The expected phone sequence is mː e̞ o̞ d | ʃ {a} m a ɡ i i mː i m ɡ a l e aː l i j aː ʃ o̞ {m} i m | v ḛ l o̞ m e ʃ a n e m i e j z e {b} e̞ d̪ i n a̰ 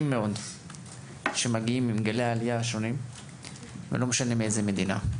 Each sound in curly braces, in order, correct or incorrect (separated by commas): incorrect, incorrect, incorrect